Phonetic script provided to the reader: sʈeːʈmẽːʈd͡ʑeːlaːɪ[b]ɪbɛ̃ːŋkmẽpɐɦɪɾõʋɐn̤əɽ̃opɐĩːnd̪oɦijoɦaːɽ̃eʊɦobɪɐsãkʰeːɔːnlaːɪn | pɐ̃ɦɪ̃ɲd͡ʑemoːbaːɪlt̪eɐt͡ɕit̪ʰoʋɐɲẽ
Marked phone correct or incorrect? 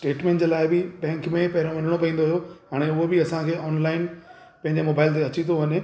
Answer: correct